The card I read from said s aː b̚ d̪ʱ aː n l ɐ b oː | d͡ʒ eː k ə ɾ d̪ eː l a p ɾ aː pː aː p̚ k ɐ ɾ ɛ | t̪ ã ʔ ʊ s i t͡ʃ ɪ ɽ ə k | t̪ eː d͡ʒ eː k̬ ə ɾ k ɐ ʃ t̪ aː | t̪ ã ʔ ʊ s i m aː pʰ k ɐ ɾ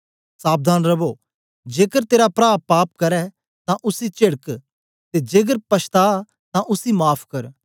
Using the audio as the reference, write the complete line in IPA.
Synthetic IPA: s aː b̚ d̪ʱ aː n ɾ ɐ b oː | d͡ʒ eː k ə ɾ t̪ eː ɾ a p ɾ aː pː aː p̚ k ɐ ɾ ɛ | t̪ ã ʔ ʊ s i t͡ʃ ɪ ɽ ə k | t̪ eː d͡ʒ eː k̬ ə ɾ p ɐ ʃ t̪ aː | t̪ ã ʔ ʊ s i m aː pʰ k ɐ ɾ